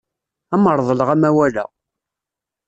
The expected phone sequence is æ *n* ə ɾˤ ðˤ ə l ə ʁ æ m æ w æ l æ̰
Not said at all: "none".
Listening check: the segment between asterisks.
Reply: m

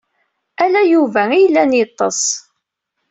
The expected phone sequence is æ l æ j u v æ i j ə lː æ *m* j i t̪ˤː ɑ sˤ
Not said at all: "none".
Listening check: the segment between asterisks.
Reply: n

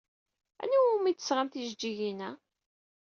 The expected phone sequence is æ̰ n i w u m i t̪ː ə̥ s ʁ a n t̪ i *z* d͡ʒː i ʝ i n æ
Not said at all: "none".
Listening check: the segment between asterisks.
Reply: ʒ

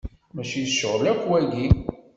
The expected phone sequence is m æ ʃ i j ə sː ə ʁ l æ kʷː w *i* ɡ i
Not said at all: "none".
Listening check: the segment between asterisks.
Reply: æ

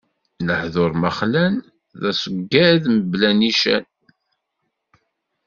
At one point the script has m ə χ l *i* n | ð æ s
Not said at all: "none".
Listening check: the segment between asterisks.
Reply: æ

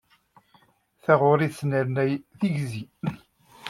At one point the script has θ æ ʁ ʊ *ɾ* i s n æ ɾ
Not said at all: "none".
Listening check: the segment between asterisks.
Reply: ɾ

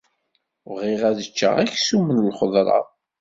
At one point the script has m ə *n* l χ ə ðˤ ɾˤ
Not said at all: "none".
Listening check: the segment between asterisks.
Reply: n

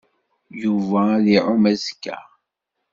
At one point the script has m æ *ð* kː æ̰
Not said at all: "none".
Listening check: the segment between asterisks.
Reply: z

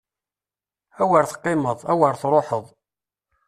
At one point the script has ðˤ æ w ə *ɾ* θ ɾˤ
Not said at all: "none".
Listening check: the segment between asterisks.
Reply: ɾ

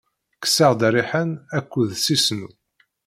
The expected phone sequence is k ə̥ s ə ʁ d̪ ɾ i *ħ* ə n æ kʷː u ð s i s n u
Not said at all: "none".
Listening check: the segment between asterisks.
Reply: ħ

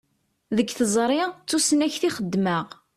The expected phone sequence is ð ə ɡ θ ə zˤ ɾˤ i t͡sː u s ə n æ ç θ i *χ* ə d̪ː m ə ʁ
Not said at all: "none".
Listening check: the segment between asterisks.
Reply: χ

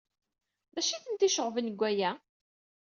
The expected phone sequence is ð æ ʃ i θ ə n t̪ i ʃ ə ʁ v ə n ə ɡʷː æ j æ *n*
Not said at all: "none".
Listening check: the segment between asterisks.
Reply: none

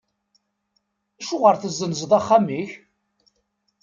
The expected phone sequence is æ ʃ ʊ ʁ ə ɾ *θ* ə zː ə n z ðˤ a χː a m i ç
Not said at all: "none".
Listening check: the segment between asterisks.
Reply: θ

